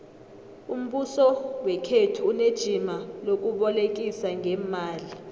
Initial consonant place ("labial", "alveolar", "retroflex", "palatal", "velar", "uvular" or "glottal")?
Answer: labial